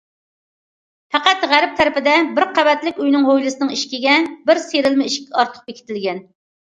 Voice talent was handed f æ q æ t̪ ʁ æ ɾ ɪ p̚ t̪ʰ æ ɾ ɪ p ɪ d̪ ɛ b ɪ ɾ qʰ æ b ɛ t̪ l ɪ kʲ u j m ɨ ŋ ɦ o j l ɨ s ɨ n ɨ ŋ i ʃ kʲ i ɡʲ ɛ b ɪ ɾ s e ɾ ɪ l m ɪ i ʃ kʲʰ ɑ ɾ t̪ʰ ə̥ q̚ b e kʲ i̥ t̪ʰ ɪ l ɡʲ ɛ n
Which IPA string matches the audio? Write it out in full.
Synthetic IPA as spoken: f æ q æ t̪ ʁ æ ɾ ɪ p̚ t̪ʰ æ ɾ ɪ p ɪ d̪ ɛ b ɪ ɾ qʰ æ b ɛ t̪ l ɪ kʲ u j n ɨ ŋ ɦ o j l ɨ s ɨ n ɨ ŋ i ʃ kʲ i ɡʲ ɛ b ɪ ɾ s e ɾ ɪ l m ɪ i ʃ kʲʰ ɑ ɾ t̪ʰ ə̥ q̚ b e kʲ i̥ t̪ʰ ɪ l ɡʲ ɛ n